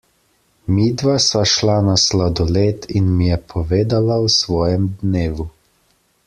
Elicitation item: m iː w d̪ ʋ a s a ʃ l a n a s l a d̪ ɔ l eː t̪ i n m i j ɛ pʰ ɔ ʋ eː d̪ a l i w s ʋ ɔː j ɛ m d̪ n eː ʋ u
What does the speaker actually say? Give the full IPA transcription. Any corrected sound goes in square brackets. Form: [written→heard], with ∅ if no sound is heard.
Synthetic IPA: m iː [w→∅] d̪ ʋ a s a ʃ l a n a s l a d̪ ɔ l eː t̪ i n m i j ɛ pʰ ɔ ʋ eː d̪ a l [i→a] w s ʋ ɔː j ɛ m d̪ n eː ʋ u

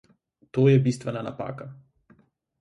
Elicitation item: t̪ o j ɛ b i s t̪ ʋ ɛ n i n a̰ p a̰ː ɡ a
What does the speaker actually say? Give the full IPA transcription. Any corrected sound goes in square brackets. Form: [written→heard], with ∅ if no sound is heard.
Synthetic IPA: t̪ o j ɛ b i s t̪ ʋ ɛ n [i→a] n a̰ p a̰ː [ɡ→k] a

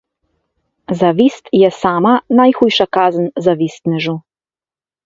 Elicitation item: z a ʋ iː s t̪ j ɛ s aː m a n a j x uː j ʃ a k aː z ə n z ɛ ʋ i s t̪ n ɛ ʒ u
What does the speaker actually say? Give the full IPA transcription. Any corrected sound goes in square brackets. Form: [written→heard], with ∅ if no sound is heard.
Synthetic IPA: z a ʋ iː s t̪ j ɛ s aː m a n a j x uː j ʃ a k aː z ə n z [ɛ→a] ʋ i s t̪ n ɛ ʒ u

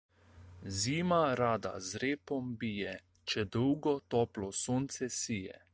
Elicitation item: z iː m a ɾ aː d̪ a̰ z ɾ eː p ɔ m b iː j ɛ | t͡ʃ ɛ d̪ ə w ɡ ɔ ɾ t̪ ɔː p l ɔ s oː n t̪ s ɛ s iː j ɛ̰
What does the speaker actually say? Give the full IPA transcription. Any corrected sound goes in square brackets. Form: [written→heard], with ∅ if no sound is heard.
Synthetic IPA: z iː m a ɾ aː d̪ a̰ z ɾ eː p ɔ m b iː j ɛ | t͡ʃ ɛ d̪ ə w ɡ ɔ [ɾ→∅] t̪ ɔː p l ɔ s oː n t̪ s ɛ s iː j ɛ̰

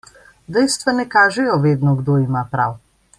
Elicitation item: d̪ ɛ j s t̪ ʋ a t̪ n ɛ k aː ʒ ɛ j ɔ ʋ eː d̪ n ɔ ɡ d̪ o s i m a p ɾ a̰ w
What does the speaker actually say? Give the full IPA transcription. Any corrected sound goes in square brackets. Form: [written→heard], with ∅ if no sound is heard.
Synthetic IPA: d̪ ɛ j s t̪ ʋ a [t̪→∅] n ɛ k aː ʒ ɛ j ɔ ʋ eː d̪ n ɔ ɡ d̪ o [s→∅] i m a p ɾ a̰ w

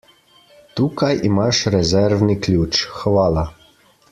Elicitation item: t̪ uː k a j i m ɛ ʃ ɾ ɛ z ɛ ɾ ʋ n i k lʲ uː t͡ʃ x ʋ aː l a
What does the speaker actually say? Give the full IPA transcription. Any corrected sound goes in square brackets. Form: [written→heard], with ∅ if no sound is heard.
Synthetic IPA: t̪ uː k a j i m [ɛ→a] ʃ ɾ ɛ z ɛ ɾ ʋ n i k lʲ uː t͡ʃ x ʋ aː l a

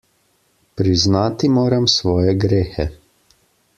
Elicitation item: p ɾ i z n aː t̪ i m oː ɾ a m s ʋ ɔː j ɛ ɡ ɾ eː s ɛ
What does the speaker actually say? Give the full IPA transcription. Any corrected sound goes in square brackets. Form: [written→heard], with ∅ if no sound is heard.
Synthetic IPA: p ɾ i z n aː t̪ i m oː ɾ a m s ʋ ɔː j ɛ ɡ ɾ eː [s→x] ɛ

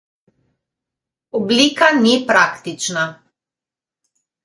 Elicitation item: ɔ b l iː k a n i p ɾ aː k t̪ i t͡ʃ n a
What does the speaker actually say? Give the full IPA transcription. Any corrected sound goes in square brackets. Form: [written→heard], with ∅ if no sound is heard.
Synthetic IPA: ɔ b l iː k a n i p ɾ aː k t̪ i t͡ʃ n a

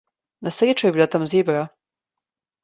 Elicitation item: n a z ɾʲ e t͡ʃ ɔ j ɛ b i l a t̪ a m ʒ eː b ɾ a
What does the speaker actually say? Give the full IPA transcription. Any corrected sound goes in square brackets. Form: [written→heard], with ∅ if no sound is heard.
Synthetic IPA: n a [z→s] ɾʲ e t͡ʃ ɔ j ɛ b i l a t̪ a m [ʒ→z] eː b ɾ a

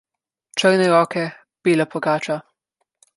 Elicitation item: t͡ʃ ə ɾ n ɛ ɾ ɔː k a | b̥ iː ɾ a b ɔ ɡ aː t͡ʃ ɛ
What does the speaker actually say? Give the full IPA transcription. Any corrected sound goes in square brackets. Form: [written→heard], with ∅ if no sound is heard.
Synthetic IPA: t͡ʃ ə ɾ n ɛ ɾ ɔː k [a→ɛ] | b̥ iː [ɾ→l] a [b→p] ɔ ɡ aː t͡ʃ [ɛ→a]

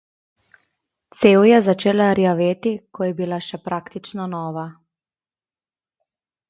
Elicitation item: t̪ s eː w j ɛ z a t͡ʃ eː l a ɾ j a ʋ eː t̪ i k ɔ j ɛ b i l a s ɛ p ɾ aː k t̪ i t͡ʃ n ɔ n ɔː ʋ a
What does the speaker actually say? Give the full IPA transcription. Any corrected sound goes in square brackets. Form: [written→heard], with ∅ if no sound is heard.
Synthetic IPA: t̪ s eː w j ɛ z a t͡ʃ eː l a ɾ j a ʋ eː t̪ i k ɔ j ɛ b i l a [s→ʃ] ɛ p ɾ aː k t̪ i t͡ʃ n ɔ n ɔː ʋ a

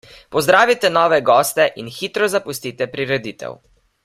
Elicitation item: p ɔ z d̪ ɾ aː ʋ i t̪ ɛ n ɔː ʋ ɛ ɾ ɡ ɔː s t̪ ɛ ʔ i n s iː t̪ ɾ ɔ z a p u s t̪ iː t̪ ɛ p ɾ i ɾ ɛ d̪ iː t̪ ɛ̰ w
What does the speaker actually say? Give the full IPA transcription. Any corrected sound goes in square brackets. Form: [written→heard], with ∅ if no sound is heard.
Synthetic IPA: p ɔ z d̪ ɾ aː ʋ i t̪ ɛ n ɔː ʋ ɛ [ɾ→∅] ɡ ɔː s t̪ ɛ ʔ i n [s→x] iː t̪ ɾ ɔ z a p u s t̪ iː t̪ ɛ p ɾ i ɾ ɛ d̪ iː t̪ ɛ̰ w

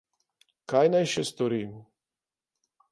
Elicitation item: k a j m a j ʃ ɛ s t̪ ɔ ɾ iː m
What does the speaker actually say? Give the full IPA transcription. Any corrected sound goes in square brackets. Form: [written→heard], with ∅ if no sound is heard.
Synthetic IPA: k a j [m→n] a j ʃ ɛ s t̪ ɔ ɾ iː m

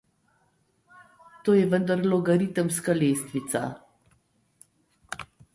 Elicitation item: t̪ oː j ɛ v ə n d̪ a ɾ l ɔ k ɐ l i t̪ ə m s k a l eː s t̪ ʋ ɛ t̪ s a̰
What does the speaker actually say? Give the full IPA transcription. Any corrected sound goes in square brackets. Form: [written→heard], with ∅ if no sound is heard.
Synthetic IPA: t̪ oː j ɛ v ə n d̪ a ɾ l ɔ [k→ɡ] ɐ [l→ɾ] i t̪ ə m s k a l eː s t̪ ʋ [ɛ→i] t̪ s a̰

